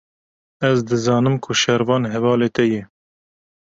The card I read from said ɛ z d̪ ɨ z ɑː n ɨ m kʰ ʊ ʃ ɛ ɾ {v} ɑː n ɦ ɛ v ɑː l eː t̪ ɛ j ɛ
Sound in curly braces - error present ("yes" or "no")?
no